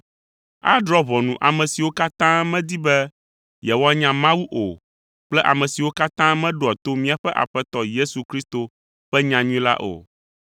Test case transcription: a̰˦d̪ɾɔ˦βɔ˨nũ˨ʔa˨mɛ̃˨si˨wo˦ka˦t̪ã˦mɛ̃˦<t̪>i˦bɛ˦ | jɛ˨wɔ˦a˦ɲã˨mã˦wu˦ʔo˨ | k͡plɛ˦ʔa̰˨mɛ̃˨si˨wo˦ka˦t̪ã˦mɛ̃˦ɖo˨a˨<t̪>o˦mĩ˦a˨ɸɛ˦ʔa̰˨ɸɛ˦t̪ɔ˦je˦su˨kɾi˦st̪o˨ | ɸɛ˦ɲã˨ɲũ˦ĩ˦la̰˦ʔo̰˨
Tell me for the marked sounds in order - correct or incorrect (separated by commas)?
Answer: incorrect, correct